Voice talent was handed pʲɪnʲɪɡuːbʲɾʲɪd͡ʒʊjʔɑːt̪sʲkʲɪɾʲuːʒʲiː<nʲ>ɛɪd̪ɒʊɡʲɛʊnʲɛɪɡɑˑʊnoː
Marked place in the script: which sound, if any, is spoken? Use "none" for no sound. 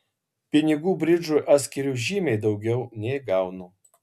mʲ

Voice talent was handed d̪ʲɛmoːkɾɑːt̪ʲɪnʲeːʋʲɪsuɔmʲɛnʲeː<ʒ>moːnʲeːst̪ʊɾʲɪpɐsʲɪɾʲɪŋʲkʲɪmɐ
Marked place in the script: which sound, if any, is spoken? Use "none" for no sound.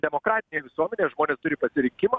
ʒ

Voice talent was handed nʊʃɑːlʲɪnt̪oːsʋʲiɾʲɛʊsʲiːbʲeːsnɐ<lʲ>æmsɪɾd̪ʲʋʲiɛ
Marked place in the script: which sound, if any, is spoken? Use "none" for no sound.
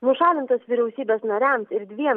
ɾʲ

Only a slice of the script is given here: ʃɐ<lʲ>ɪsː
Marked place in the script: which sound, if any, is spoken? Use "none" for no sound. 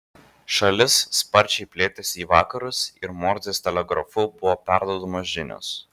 lʲ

